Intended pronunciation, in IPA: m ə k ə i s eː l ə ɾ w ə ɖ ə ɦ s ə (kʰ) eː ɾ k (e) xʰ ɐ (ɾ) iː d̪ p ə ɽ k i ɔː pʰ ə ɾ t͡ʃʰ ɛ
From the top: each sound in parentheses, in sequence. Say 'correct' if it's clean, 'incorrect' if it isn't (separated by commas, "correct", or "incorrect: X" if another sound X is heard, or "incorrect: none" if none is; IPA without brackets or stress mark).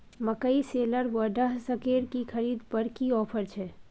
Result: incorrect: k, incorrect: i, correct